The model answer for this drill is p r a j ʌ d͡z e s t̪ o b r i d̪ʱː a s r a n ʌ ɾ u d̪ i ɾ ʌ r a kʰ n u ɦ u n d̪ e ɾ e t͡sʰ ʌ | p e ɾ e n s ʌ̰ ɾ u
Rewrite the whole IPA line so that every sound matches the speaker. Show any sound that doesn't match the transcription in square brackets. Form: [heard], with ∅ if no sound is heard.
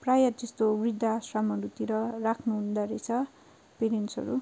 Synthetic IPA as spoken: p r a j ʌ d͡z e s t̪ o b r i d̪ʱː a s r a [m] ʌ ɾ u [t̪] i ɾ ʌ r a kʰ n u ɦ u n d̪ [a] ɾ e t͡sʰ ʌ | p e ɾ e n s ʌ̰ ɾ u